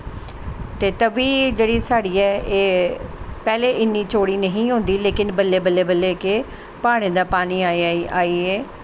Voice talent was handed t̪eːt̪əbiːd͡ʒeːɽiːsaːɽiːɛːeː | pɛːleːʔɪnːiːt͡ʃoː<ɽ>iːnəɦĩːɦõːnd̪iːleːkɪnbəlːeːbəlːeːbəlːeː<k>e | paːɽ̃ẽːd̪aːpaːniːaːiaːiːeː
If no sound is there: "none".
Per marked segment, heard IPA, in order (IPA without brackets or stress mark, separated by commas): ɽ, k